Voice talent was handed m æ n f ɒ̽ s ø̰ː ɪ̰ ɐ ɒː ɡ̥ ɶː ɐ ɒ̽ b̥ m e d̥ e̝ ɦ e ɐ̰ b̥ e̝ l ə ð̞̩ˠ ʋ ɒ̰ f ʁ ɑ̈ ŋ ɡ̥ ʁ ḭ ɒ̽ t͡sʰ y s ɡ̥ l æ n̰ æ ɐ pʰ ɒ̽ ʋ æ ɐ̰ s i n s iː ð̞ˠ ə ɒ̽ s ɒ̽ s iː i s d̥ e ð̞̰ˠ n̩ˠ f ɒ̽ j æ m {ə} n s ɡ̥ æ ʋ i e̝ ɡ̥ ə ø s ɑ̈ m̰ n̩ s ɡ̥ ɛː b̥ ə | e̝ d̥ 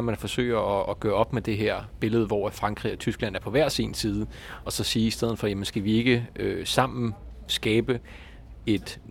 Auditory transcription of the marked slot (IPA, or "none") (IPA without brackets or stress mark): ə